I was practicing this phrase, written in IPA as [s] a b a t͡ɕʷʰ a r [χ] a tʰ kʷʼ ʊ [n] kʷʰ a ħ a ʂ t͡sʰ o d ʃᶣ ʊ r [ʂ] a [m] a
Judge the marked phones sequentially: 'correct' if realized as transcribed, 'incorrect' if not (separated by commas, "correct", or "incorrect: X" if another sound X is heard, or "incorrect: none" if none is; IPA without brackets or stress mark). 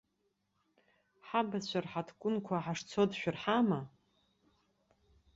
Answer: incorrect: ħ, incorrect: ħ, correct, incorrect: ħ, correct